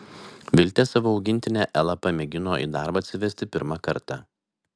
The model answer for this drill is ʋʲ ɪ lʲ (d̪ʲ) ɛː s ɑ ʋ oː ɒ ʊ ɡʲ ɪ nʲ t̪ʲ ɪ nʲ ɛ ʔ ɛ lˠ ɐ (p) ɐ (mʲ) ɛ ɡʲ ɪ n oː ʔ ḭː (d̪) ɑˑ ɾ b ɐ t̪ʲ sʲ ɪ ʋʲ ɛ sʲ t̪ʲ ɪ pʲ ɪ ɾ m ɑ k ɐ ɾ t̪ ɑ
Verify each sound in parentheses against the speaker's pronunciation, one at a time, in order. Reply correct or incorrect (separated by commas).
incorrect, correct, correct, correct